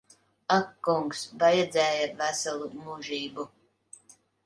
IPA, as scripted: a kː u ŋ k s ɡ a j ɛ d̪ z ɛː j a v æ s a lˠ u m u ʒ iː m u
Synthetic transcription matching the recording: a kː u ŋ k s b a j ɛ d̪ z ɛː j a v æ s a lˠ u m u ʒ iː b u

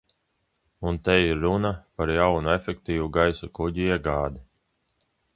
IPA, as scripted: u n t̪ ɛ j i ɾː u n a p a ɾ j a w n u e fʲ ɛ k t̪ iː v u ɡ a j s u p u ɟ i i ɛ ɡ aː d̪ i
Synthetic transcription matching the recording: u n t̪ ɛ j i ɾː u n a p a ɾ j a w n u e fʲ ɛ k t̪ iː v u ɡ a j s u k u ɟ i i ɛ ɡ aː d̪ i

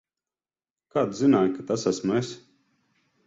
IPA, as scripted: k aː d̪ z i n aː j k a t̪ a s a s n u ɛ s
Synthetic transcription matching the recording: k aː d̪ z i n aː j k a t̪ a s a s m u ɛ s

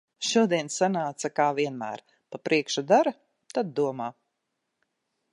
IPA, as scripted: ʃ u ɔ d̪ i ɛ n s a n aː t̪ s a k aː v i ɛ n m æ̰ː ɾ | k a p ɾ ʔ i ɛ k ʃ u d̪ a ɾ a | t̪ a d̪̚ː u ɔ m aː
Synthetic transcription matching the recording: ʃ u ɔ d̪ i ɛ n s a n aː t̪ s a k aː v i ɛ n m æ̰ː ɾ | p a p ɾ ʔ i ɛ k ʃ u d̪ a ɾ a | t̪ a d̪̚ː u ɔ m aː

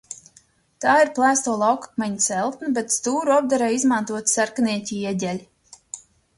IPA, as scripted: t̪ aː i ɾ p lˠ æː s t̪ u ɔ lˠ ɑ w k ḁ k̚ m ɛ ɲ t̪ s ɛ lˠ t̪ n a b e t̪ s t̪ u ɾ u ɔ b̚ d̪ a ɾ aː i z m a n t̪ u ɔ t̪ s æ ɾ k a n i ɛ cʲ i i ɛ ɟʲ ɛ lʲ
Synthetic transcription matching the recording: t̪ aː i ɾ p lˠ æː s t̪ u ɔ lˠ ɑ w k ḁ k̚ m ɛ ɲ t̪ s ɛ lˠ t̪ n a b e t̪ s t̪ uː ɾ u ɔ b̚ d̪ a ɾ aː i z m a n t̪ u ɔ t̪ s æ ɾ k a n i ɛ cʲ i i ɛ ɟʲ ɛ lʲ

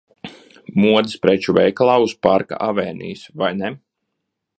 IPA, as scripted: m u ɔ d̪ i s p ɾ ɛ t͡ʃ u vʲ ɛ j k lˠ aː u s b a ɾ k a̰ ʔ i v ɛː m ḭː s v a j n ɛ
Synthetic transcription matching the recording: m u ɔ d̪ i s p ɾ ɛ t͡ʃ u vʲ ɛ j k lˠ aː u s p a ɾ k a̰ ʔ a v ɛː n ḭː s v a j n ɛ

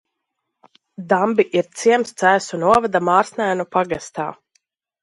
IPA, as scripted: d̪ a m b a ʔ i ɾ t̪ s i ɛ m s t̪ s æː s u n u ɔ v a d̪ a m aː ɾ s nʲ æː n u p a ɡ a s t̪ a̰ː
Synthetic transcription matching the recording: d̪ a m b i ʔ i ɾ t̪ s i ɛ m s t̪ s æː s u n u ɔ v a d̪ a m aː ɾ s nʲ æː n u p a ɡ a s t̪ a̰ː

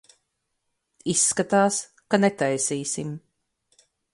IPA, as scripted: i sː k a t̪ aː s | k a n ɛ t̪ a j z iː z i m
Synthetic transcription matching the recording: i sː k a t̪ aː s | k a n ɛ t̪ a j s iː s i m

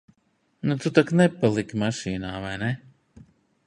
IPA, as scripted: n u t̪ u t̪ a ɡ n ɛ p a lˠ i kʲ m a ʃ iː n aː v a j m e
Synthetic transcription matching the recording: n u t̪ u t̪ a k n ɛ p a lˠ i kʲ m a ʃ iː n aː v a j n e

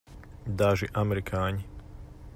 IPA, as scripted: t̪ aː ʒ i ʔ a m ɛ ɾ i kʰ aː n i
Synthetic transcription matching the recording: d̪ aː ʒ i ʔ a m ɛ ɾ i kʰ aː ɲ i

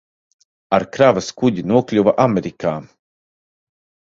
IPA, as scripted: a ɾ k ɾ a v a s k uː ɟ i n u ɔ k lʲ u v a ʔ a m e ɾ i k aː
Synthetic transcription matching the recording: a ɾ k ɾ a v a s k u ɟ i n u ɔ k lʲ u v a ʔ a m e ɾ i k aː

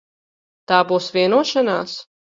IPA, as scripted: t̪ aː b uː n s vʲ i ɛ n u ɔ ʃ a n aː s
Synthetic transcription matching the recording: t̪ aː b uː s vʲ i ɛ n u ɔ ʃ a n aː s

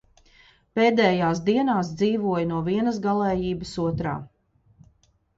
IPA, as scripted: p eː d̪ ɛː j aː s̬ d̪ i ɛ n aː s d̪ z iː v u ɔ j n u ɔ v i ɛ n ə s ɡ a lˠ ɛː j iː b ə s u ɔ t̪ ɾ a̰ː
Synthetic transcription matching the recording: p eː d̪ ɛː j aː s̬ d̪ i ɛ n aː s d̪ z iː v u ɔ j n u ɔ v i ɛ n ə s ɡ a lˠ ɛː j iː b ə s u ɔ t̪ ɾ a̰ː

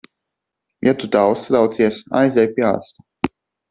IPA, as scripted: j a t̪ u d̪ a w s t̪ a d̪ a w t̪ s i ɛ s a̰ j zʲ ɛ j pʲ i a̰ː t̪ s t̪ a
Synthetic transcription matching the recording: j a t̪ u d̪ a w s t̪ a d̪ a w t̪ s i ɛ s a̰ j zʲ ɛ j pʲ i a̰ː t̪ s t̪ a

